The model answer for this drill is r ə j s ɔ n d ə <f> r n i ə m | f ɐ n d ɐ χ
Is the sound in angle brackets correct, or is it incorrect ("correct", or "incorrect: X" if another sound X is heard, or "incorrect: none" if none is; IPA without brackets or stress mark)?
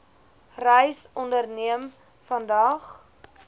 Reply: incorrect: none